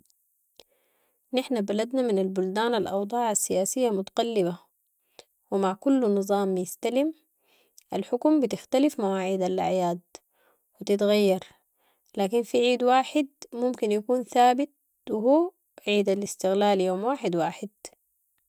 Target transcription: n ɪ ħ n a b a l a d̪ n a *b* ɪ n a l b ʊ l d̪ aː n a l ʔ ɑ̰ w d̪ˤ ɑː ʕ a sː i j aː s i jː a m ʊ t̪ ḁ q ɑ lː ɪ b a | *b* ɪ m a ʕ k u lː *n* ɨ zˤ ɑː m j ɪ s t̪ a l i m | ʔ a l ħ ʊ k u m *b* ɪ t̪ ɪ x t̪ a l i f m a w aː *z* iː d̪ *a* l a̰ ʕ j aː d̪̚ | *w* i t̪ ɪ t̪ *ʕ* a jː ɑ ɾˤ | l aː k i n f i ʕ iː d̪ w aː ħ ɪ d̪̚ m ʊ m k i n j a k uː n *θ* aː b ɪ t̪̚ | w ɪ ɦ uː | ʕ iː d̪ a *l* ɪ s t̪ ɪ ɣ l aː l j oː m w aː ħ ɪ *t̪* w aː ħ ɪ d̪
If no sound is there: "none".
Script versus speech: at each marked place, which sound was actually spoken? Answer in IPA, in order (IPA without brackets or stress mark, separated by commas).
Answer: m, w, n, b, ʕ, a, w, ɣ, θ, l, d̪